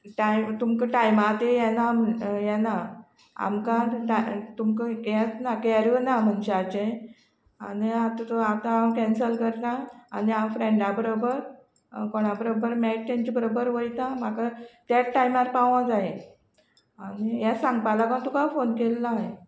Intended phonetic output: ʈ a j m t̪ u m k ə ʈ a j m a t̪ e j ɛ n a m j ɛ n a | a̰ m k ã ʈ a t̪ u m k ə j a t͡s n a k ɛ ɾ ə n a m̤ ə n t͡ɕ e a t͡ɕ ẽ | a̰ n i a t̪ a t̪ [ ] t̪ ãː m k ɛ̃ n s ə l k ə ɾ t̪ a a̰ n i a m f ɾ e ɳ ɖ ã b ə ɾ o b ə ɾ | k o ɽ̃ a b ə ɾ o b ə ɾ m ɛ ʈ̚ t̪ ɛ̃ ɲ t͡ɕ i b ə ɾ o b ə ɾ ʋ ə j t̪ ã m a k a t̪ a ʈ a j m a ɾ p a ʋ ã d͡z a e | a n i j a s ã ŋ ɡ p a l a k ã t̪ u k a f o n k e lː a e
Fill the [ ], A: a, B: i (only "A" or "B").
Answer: A